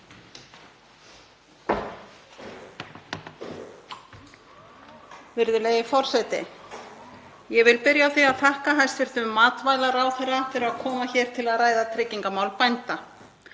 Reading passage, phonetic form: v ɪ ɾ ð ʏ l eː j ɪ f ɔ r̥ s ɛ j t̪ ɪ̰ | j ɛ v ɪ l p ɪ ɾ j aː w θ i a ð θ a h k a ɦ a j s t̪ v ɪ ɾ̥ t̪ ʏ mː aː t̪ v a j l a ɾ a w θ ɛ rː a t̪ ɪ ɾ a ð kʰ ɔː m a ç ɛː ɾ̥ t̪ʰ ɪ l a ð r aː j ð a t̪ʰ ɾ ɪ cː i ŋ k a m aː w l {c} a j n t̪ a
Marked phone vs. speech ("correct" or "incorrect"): incorrect